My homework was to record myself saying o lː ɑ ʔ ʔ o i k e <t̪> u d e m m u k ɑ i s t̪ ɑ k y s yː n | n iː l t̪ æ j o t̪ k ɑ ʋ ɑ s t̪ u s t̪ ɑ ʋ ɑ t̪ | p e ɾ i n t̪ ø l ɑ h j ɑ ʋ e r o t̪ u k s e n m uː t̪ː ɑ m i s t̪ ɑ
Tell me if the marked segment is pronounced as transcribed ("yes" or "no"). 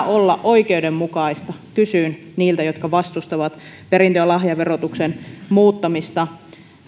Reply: no